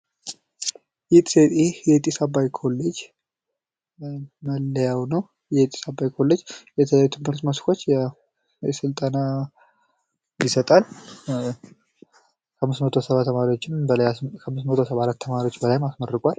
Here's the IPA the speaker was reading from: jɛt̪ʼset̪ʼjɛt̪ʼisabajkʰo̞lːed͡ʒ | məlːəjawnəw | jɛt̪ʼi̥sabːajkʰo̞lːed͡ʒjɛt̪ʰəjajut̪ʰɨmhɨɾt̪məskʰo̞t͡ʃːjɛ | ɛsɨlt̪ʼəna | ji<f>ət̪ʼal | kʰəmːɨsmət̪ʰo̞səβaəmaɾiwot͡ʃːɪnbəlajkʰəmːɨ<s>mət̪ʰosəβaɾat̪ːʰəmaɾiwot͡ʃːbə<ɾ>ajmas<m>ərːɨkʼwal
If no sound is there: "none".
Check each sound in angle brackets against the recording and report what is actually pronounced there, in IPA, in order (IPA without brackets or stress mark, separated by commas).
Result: s, s, l, m